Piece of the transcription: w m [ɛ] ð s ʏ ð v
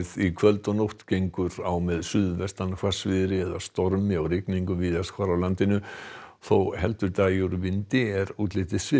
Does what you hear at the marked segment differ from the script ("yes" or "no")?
no